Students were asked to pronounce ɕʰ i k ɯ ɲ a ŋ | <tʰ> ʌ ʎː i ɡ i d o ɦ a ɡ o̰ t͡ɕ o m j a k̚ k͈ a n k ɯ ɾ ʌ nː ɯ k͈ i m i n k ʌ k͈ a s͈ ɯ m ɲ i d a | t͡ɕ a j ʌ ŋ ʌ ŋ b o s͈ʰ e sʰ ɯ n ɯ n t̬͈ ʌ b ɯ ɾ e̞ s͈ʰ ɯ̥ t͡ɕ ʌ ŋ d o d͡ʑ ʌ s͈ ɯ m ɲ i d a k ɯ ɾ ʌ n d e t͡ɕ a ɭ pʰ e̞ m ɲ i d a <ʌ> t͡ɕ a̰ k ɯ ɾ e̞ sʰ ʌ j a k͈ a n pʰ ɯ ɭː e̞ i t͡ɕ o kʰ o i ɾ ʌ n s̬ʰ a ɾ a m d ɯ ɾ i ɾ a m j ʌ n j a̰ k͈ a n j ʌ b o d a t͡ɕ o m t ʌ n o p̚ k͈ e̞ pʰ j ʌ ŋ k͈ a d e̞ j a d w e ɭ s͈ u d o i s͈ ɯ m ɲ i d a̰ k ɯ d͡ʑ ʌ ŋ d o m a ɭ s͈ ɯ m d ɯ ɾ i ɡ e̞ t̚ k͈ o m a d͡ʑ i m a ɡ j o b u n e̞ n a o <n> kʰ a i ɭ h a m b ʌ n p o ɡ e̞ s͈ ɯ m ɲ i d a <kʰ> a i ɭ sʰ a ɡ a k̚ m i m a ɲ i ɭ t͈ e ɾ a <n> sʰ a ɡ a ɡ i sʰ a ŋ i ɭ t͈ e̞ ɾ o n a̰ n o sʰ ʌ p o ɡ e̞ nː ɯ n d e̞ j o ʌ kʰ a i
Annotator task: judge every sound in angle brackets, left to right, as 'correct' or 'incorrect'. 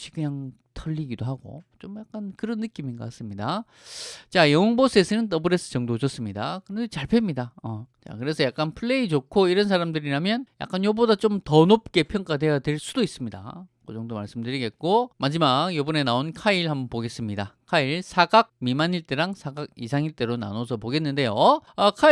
correct, correct, correct, correct, incorrect: ŋ

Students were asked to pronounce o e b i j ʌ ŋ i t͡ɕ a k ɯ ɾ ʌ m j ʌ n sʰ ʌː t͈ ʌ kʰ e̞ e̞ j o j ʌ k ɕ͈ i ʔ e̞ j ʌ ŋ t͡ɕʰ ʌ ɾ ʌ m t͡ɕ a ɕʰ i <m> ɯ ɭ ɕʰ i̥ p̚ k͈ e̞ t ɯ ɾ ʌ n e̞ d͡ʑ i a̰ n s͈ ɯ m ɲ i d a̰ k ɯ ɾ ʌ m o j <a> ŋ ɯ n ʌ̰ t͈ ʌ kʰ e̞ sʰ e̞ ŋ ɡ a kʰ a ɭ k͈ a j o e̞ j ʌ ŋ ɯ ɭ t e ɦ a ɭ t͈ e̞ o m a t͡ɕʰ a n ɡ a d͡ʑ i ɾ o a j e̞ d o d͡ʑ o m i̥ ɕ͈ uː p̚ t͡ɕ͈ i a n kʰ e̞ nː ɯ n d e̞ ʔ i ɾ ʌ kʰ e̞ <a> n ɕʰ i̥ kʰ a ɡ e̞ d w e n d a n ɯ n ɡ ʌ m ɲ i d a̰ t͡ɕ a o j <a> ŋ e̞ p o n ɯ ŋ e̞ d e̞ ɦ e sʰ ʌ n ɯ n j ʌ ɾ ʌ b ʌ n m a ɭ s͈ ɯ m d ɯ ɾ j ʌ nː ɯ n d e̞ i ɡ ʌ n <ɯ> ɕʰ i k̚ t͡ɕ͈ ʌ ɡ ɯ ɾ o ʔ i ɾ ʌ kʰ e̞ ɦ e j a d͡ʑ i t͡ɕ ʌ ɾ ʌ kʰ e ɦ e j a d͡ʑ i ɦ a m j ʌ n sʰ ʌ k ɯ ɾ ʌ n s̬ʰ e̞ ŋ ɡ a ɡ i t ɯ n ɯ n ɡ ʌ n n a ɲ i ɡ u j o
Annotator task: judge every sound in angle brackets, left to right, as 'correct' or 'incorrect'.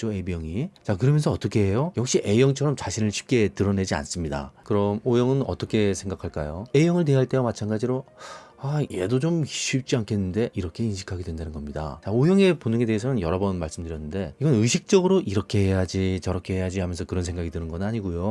incorrect: n, incorrect: ʌ, incorrect: i, incorrect: ʌ, correct

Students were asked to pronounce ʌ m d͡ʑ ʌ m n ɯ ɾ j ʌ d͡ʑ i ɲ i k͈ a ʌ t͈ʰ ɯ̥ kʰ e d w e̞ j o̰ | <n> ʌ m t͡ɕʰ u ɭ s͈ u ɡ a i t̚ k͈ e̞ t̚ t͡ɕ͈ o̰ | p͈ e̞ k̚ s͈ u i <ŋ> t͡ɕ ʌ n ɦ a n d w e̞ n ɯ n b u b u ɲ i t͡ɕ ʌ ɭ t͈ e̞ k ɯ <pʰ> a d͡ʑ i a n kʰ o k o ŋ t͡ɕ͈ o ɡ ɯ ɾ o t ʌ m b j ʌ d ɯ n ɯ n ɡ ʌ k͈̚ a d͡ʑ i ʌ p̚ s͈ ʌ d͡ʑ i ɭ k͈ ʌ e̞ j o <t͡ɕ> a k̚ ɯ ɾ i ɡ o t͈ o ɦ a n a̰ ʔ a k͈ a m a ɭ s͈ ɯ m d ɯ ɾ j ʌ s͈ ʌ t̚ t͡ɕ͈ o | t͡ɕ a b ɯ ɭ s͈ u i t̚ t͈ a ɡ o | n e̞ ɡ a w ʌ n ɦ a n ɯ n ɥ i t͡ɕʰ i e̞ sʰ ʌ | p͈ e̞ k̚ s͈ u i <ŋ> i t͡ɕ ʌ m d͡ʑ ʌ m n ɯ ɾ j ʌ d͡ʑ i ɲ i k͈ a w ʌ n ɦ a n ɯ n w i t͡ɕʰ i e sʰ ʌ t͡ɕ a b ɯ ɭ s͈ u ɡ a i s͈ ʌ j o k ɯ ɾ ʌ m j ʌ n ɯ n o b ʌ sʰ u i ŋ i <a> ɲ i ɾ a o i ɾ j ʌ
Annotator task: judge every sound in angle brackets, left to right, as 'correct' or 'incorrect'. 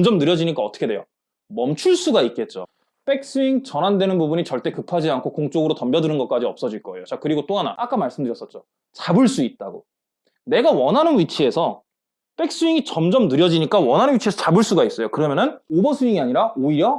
incorrect: m, correct, correct, correct, correct, correct

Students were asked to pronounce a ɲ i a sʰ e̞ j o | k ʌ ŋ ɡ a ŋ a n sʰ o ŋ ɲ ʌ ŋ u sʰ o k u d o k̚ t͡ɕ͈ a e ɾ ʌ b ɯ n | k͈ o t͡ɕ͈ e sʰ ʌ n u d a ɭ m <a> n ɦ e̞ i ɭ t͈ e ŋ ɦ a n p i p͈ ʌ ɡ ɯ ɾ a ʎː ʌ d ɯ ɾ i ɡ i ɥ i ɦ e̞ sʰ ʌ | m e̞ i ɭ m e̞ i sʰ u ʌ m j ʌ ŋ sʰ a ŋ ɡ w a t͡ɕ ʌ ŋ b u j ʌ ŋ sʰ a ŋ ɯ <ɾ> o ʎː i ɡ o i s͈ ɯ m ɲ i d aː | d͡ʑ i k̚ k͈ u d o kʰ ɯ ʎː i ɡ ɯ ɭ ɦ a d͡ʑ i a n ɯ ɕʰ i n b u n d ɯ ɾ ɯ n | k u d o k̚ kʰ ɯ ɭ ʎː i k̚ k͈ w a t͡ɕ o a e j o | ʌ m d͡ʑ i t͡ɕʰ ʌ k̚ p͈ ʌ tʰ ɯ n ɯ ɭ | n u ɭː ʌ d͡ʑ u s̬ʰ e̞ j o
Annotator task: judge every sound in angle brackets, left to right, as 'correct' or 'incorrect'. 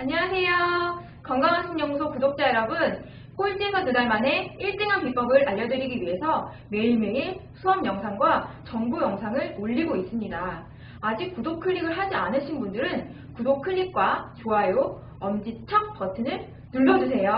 correct, incorrect: ɭ

